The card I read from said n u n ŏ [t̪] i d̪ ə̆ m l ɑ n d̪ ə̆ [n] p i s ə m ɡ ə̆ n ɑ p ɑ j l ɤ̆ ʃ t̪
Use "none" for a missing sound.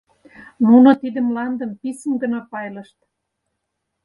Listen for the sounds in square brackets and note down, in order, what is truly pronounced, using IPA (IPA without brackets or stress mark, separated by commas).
t̪, m